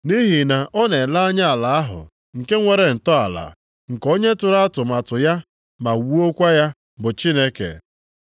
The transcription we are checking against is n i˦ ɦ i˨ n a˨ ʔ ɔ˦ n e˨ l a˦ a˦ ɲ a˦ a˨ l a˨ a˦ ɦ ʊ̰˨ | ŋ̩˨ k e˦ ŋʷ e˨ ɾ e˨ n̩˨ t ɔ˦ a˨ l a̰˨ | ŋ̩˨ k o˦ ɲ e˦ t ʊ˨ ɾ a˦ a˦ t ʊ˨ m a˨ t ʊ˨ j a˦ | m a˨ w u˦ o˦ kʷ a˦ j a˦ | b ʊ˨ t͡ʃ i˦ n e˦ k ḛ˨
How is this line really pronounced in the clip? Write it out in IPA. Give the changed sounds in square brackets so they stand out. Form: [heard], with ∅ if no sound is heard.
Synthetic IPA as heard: n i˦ ɦ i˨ n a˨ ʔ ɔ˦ n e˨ l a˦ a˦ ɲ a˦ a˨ l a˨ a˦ ɦ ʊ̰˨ | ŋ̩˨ k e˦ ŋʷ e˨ ɾ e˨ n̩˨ t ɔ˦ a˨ l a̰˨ | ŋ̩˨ k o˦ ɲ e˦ t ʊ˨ ɾ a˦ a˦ t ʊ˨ m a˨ t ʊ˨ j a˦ | m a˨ w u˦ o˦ kʷ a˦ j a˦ | b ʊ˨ t͡ʃ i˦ n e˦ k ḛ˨